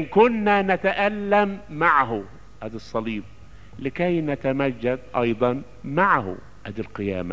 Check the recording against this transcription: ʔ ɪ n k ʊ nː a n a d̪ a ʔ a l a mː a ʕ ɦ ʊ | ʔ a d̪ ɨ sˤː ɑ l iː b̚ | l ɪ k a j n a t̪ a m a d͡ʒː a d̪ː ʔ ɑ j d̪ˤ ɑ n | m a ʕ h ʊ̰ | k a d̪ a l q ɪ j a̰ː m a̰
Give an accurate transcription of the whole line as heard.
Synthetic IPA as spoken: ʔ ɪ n k ʊ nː a n a t̪ a ʔ a lː a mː a ʕ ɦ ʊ | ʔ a d̪ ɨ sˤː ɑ l iː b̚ | l ɪ k a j n a t̪ a m a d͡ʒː a d̪ ʔ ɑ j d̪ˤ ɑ n | m a ʕ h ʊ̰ | ʔ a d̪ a l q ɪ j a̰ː m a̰